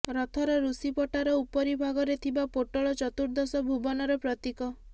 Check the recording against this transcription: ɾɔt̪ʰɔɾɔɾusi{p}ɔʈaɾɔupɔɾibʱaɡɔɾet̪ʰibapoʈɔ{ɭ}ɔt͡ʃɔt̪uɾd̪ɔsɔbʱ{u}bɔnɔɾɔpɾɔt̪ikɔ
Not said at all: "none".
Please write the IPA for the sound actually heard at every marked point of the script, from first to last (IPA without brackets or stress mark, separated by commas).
p, ɭ, u